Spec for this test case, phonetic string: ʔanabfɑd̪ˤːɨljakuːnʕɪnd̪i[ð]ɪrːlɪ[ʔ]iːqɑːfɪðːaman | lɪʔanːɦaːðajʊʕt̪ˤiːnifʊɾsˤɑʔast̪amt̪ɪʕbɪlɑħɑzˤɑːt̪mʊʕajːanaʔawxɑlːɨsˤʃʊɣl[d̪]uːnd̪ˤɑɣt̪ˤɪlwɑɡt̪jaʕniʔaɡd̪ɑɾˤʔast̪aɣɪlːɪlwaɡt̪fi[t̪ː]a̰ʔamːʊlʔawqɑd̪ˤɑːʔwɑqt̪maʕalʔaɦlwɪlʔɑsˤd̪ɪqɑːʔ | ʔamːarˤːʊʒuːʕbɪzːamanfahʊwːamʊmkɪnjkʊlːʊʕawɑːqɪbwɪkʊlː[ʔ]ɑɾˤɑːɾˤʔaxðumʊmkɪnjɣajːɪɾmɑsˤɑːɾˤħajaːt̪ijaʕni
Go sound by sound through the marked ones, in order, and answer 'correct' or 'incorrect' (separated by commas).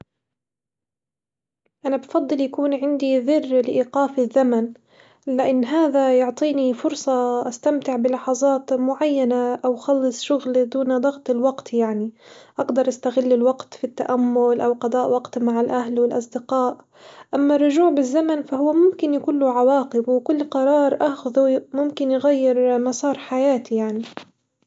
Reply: correct, correct, correct, correct, incorrect